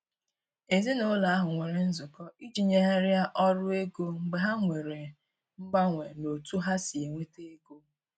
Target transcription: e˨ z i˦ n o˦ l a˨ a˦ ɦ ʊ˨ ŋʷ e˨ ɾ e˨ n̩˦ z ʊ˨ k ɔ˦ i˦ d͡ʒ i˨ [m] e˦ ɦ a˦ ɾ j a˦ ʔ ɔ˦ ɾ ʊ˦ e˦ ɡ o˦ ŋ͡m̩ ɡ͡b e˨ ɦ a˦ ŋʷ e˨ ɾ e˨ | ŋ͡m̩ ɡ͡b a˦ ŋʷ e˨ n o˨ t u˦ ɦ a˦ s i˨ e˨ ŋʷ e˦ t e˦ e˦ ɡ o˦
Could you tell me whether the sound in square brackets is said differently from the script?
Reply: yes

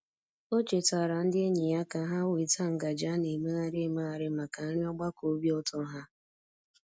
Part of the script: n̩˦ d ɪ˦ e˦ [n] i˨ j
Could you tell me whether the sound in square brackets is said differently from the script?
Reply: yes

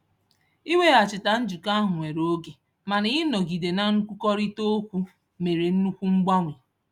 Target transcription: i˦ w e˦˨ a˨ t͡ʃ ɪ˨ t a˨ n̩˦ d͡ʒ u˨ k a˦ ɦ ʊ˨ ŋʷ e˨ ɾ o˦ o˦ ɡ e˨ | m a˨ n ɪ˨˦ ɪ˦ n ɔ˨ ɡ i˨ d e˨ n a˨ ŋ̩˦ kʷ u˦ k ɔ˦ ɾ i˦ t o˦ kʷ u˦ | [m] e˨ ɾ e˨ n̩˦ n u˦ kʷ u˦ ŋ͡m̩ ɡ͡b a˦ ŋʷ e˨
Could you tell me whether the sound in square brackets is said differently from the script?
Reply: no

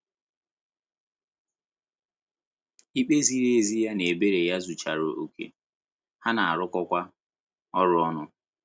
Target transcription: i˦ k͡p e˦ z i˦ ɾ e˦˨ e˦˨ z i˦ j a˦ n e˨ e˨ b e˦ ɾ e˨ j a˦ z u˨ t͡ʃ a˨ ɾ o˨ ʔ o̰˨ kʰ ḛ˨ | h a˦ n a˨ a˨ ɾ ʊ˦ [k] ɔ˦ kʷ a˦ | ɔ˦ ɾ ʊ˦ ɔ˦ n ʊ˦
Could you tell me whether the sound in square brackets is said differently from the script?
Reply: no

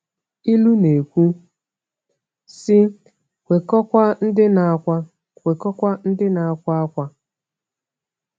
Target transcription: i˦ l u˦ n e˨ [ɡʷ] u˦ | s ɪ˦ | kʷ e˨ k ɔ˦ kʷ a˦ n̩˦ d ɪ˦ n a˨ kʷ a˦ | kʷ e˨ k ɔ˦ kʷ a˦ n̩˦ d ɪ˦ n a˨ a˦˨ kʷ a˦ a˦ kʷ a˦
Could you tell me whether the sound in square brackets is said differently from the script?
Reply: yes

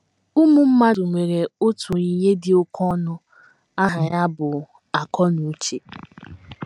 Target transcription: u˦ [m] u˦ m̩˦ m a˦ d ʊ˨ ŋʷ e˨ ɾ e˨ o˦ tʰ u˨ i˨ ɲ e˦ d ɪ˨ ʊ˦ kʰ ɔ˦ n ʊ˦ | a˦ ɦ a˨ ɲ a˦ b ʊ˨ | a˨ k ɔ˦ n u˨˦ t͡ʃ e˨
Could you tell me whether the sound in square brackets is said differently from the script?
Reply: no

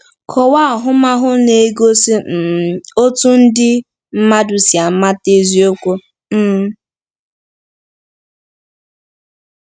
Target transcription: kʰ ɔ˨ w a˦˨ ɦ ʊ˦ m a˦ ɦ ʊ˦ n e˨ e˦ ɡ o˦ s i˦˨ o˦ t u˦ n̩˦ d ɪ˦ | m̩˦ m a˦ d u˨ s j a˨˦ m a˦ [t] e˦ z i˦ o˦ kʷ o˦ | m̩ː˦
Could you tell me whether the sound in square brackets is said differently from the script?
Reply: no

